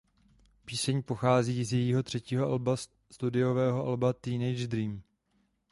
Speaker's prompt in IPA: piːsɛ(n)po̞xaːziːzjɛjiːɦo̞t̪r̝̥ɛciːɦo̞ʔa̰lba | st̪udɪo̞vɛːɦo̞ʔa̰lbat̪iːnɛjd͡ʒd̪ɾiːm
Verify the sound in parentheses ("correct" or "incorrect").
incorrect